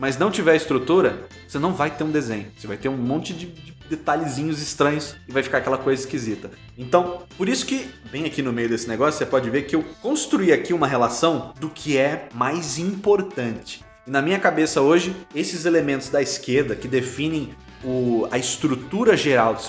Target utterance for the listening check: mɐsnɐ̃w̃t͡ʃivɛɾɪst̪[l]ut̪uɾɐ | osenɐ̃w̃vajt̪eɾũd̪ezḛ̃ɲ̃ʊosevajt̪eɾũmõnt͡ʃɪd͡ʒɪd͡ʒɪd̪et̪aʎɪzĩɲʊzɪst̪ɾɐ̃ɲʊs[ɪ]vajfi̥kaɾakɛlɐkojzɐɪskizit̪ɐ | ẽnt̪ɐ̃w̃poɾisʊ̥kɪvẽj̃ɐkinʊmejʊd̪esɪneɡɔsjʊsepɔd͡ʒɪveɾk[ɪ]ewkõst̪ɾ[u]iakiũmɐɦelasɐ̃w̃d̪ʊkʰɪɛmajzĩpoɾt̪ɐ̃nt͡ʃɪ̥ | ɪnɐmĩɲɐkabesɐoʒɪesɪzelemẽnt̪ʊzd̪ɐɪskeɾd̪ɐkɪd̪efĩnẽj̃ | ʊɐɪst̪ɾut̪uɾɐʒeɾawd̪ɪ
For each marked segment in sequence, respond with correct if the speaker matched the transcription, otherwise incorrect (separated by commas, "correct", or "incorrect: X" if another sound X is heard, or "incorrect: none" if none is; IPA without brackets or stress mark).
incorrect: ɾ, correct, correct, correct